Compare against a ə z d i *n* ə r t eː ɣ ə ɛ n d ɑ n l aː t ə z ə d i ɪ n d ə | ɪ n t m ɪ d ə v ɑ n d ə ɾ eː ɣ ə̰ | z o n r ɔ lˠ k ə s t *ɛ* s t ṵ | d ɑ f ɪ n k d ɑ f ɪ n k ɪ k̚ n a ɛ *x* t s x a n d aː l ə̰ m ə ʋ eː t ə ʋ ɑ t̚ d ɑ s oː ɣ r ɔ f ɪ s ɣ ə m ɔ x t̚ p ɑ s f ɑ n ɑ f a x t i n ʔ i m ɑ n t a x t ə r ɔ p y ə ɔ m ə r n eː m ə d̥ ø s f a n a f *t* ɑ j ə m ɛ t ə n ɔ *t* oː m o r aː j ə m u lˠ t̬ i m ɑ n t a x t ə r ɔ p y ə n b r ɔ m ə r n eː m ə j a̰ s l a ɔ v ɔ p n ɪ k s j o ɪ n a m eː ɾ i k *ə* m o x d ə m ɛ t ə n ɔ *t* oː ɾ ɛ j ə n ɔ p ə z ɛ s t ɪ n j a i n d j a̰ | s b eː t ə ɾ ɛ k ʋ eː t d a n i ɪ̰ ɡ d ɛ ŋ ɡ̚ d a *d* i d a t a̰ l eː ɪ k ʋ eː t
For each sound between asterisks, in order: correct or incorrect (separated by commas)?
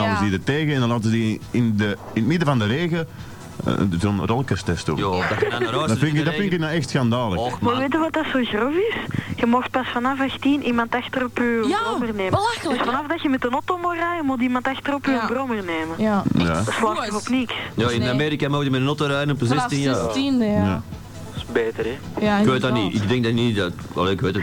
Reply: incorrect, correct, correct, incorrect, correct, incorrect, correct, incorrect